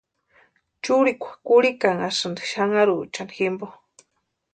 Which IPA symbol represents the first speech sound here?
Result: t͡ʃ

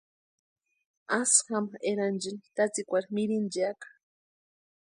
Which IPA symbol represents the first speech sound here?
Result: a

